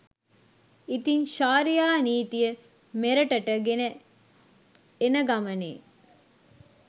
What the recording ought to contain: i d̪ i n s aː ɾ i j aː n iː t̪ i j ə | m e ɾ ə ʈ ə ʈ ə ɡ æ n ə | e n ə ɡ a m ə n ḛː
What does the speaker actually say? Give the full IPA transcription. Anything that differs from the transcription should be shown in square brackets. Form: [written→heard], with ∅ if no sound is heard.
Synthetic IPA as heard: i [d̪→t̪] i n [s→ʃ] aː ɾ i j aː n iː t̪ i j ə | m e ɾ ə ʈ ə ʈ ə ɡ [æ→e] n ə | e n ə ɡ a m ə n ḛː